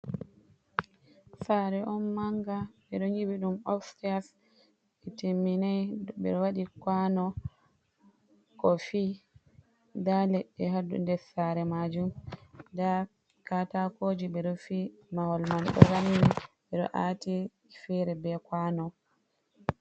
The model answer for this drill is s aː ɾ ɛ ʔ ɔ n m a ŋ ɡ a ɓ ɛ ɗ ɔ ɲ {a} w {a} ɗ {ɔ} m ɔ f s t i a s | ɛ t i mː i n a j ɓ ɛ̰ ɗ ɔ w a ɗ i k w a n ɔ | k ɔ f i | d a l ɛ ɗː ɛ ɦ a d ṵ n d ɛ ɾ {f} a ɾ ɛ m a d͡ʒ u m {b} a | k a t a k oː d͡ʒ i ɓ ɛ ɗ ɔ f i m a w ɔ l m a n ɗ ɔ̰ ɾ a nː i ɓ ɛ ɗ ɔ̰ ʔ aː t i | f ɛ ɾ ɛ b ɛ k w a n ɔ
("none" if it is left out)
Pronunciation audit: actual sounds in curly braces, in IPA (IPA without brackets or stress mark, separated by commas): i, i, u, s, d